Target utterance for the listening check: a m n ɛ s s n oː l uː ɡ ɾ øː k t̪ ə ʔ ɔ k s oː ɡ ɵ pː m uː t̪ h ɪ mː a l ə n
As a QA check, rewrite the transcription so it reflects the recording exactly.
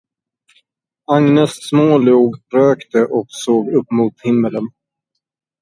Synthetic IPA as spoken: a ŋ n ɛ s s m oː l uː ɡ ɾ øː k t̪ ə ʔ ɔ k s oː ɡ ɵ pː m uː t̪ h ɪ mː ə l ə n

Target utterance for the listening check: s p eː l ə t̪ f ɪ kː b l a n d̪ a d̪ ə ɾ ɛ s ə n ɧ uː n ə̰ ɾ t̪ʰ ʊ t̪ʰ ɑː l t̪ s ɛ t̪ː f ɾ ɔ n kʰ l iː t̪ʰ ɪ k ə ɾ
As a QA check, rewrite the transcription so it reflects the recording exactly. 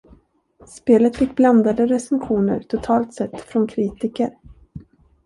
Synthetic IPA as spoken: s p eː l ə t̪ f ɪ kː b l a n d̪ a d̪ ə ɾ ɛ s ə n ɧ uː n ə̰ ɾ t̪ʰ ʊ t̪ʰ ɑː l t̪ s ɛ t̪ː f ɾ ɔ n kʰ ɾ iː t̪ ɪ k ə ɾ

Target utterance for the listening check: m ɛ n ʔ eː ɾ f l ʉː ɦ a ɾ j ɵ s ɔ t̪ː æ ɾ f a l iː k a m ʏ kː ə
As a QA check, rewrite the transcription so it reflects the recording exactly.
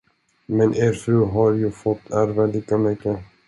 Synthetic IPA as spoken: m ɛ n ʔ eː ɾ f ɾ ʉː ɦ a ɾ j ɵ f ɔ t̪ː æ ɾ v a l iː k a m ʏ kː ə

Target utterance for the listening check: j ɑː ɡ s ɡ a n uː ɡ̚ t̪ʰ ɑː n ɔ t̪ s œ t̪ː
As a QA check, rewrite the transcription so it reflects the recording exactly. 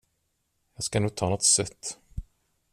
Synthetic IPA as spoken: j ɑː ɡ s k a n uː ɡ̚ t̪ʰ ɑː n ɔ t̪ s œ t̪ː

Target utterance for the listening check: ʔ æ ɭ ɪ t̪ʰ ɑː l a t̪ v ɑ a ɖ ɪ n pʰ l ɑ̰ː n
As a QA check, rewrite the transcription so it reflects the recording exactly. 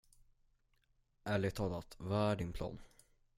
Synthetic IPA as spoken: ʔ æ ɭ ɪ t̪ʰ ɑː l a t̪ v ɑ æ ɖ ɪ n pʰ l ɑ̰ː n

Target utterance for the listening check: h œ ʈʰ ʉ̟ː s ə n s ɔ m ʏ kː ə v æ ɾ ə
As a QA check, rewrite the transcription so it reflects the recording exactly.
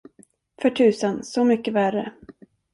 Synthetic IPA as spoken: f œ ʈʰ ʉ̟ː s ə n s ɔ m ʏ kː ə v æ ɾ ə

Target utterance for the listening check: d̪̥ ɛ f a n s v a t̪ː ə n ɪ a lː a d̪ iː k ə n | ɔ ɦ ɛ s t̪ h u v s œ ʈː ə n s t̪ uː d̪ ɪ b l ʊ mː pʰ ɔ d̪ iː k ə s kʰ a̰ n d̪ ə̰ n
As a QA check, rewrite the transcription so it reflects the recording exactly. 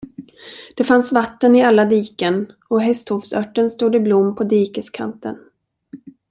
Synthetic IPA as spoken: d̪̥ ɛ f a n s v a t̪ː ə n ɪ a lː a d̪ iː k ə n | ɔ ɦ ɛ s t̪ h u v s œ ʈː ə n s t̪ uː d̪ ɪ b l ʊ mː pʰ ɔ d̪ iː k ə s kʰ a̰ n t̪ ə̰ n

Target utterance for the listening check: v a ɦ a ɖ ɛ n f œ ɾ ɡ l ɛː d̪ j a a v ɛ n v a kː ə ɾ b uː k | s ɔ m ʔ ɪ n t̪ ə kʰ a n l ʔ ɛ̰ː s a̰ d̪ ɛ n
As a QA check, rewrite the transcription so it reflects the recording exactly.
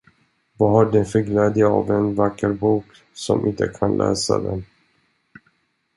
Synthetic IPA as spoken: v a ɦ a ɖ ɛ n f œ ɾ ɡ l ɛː d̪ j a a v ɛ n v a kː ə ɾ b uː k | s ɔ m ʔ ɪ n t̪ ə kʰ a n l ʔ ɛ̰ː s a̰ d̪ ɛ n

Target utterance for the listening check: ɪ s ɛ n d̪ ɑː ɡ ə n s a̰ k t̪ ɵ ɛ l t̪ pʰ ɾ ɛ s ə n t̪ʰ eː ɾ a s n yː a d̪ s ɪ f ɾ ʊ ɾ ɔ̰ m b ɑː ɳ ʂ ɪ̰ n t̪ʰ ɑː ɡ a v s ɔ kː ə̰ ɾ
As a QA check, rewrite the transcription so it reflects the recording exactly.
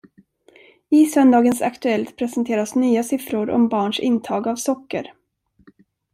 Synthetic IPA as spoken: ɪ s œ n d̪ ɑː ɡ ə n s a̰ k t̪ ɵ ɛ l t̪ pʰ ɾ ɛ s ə n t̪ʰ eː ɾ a s n yː a s ɪ f ɾ ʊ ɾ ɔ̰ m b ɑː ɳ ʂ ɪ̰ n t̪ʰ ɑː ɡ a v s ɔ kː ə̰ ɾ

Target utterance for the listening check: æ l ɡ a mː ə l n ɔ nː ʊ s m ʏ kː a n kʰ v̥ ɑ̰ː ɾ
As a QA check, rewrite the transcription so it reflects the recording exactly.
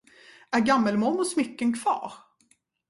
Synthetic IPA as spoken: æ ɾ ɡ a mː ə l m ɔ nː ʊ s m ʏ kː ə n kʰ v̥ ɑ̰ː ɾ

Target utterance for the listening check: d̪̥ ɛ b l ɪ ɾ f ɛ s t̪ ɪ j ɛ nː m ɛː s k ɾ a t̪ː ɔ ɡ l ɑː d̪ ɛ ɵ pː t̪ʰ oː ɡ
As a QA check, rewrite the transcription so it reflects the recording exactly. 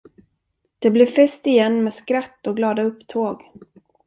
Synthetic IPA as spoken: d̪̥ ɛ b l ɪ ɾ f ɛ s t̪ ɪ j ɛ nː m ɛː s k ɾ a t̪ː ɔ ɡ l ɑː d̪ a ɵ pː t̪ʰ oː ɡ

